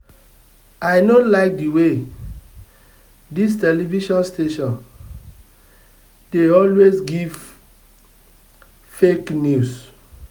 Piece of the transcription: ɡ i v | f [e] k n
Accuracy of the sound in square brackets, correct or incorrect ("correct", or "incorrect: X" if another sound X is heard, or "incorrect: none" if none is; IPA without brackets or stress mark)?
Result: correct